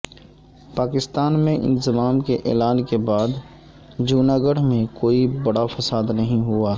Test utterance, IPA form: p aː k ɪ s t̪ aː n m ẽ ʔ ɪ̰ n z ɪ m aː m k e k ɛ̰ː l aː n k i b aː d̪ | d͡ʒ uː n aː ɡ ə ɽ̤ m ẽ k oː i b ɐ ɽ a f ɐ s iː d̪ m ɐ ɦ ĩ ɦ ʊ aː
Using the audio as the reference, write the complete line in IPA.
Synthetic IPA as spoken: p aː k ɪ s t̪ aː n m ẽ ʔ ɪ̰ n z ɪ m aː m k e ʔ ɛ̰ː l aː n k e b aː d̪ | d͡ʒ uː n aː ɡ ə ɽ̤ m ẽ k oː i b ɐ ɽ a f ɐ s aː d̪ n ɐ ɦ ĩ ɦ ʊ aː